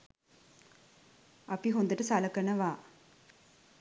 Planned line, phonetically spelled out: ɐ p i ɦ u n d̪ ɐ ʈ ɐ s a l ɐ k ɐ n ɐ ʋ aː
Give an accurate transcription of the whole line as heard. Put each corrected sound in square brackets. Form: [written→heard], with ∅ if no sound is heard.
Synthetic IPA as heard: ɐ p i ɦ [u→o] n d̪ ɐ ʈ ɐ s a l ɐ k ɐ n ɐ ʋ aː